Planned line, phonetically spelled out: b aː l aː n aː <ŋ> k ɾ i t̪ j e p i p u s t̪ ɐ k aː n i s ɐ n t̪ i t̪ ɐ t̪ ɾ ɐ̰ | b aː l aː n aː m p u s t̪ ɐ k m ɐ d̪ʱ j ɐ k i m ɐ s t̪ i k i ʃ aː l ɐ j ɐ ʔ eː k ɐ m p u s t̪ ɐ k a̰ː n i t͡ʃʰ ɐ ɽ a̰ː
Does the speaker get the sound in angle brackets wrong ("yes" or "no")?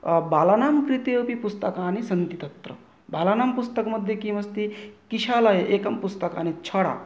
yes